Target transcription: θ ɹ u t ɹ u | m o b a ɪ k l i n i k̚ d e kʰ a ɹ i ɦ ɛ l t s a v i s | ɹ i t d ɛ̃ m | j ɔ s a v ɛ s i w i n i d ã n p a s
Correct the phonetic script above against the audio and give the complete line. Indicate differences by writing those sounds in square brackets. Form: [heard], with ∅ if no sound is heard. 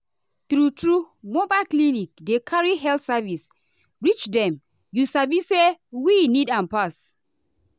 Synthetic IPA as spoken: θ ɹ u t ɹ u | m o b a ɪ k l i n i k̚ d e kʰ a ɹ i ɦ ɛ l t s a v i s | ɹ i [t͡ʃ] d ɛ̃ m | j [u] s a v [i] s [e] w i n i d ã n p a s